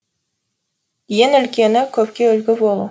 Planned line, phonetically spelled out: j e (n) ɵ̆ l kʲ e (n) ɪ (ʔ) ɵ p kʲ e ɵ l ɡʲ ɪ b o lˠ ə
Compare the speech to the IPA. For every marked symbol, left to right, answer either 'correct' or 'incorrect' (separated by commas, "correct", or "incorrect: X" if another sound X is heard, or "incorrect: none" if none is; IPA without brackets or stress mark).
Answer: correct, correct, incorrect: k